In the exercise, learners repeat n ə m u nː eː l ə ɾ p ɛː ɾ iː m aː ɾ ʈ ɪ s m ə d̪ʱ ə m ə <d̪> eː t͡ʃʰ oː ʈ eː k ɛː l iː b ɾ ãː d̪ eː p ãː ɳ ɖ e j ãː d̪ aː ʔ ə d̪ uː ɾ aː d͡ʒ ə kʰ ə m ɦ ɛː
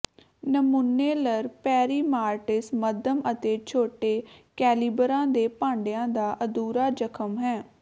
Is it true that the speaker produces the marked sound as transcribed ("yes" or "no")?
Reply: no